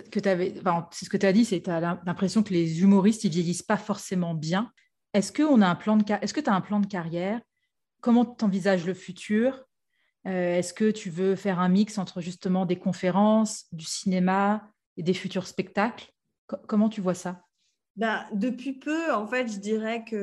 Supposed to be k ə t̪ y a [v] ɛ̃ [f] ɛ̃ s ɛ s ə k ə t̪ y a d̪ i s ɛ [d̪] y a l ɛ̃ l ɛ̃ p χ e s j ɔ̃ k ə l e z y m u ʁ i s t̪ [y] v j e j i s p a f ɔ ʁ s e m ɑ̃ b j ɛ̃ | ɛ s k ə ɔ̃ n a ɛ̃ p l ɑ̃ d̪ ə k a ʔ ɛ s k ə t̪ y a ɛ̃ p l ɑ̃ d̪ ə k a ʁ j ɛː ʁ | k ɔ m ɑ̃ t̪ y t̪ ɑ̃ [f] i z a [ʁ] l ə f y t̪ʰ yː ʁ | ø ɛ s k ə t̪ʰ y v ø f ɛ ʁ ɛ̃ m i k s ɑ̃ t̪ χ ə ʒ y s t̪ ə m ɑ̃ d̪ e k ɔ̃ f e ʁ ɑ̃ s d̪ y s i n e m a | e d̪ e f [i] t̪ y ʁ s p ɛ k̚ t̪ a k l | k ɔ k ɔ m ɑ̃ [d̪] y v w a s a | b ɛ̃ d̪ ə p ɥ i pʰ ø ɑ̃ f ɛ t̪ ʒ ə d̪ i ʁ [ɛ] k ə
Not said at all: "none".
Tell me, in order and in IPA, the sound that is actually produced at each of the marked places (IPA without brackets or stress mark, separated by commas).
v, f, t̪, i, v, ʒ, y, t̪, ɛ